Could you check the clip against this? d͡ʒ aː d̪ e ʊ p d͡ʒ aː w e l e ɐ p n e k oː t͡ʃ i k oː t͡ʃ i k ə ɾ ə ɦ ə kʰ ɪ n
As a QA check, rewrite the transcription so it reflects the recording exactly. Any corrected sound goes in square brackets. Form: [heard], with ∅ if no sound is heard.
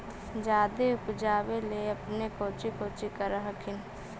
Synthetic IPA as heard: d͡ʒ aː d̪ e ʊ p d͡ʒ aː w e l e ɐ p n e k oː t͡ʃ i k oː t͡ʃ i k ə ɾ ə ɦ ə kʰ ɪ n